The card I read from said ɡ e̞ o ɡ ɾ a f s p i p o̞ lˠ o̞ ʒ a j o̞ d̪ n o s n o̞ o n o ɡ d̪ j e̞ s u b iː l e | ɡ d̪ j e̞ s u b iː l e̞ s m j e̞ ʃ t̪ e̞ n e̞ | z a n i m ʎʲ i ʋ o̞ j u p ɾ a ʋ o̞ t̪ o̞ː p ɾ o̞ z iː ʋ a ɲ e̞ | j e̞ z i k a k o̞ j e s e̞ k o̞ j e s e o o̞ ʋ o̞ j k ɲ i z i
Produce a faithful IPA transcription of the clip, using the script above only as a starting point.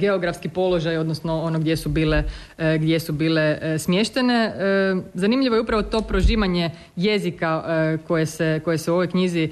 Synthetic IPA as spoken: ɡ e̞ o ɡ ɾ a f s k i p o̞ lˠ o̞ ʒ a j o̞ d̪ n o s n o̞ o n o ɡ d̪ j e̞ s u b iː l e | ɡ d̪ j e̞ s u b iː l e̞ s m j e̞ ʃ t̪ e̞ n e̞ | z a n i m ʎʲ i ʋ o̞ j u p ɾ a ʋ o̞ t̪ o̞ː p ɾ o̞ ʒ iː ʋ a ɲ e̞ | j e̞ z i k a k o̞ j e s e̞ k o̞ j e s e u o̞ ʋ o̞ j k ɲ i z i